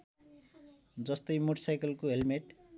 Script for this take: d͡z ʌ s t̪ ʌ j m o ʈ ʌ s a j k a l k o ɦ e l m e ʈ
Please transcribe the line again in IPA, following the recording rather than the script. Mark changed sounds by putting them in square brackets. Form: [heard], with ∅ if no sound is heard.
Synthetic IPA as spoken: d͡z ʌ s t̪ ʌ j m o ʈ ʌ s a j k [ʌ] l k o ɦ e l m e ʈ